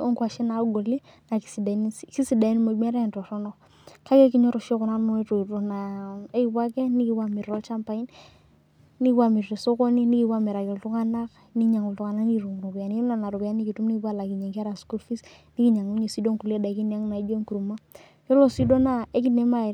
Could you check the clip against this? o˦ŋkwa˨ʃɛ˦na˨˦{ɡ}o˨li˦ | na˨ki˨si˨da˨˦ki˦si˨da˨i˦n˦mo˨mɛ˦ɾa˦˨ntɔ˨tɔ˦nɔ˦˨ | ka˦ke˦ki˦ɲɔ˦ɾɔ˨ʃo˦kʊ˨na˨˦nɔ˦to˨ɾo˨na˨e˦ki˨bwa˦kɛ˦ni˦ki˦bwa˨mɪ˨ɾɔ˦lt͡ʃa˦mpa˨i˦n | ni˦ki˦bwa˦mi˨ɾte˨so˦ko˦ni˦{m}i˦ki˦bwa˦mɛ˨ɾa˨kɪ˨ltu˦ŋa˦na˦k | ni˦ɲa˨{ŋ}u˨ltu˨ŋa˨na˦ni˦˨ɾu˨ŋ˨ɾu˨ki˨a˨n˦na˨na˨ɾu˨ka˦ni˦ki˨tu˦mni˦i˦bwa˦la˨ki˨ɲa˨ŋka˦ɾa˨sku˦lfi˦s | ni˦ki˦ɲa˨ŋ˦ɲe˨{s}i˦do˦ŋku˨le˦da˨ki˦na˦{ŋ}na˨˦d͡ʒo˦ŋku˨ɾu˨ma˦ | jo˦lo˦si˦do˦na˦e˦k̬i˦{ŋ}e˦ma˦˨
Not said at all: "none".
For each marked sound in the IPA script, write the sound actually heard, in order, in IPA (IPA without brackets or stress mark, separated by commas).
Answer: ɡ, n, ŋ, s, ŋ, n